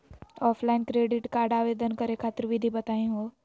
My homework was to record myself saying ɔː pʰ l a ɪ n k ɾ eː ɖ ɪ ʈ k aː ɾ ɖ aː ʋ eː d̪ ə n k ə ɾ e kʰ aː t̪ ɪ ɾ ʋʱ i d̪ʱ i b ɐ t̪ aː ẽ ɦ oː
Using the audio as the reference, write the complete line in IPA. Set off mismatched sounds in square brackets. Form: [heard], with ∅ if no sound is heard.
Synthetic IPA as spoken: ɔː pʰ l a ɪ n k ɾ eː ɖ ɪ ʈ k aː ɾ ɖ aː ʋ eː d̪ ə n k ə ɾ e kʰ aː t̪ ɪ ɾ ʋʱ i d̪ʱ i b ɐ t̪ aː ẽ ɦ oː